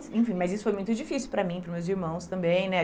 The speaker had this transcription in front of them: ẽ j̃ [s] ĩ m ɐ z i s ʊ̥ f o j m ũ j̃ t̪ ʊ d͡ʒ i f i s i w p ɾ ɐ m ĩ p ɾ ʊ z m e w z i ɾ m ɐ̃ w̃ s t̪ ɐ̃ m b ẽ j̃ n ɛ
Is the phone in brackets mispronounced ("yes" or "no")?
yes